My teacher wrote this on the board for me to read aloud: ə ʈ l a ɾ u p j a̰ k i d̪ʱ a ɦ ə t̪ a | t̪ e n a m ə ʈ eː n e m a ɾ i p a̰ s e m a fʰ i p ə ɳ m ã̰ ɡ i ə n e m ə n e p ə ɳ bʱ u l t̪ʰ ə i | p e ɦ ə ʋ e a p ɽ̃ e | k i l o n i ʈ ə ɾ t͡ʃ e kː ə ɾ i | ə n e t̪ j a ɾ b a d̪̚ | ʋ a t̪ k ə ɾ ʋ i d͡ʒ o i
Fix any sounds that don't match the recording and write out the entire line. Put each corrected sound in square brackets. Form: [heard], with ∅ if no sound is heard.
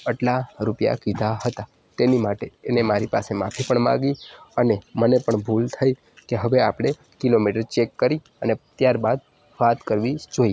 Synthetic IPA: ə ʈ l a ɾ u p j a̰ k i d̪ʱ a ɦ ə t̪ a | t̪ e n [i] m [a] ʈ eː n e m a ɾ i p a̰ s e m a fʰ i p ə ɳ m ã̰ ɡ i ə n e m ə n e p ə ɳ bʱ u l t̪ʰ ə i | [k] e ɦ ə ʋ e a p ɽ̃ e | k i l o [m] i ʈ ə ɾ t͡ʃ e kː ə ɾ i | ə n e t̪ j a ɾ b a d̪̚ | ʋ a t̪ k ə ɾ ʋ i d͡ʒ o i